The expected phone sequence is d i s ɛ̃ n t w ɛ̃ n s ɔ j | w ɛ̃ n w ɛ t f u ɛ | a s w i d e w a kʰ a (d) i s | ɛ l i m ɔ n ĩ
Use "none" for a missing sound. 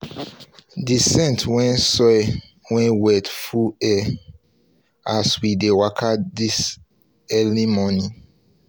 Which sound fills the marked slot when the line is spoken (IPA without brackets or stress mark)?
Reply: d